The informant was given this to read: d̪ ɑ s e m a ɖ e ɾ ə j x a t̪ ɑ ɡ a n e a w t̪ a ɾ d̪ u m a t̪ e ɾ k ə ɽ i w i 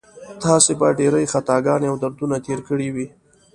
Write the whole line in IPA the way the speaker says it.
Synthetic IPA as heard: t̪ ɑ s e b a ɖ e ɾ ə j x a t̪ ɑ ɡ ɑ n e a w d̪ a ɾ d̪ u n a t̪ e ɾ k ə ɽ i w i